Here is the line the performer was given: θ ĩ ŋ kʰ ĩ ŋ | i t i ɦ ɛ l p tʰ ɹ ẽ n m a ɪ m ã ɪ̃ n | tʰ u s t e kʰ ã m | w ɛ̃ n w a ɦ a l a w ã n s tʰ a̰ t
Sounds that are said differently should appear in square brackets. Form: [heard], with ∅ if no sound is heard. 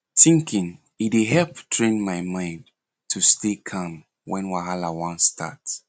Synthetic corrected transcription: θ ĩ ŋ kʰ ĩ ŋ | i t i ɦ ɛ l p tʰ ɹ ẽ n m a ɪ m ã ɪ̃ n | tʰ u s t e kʰ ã m | w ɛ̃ n w a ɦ a l a w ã n s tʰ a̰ t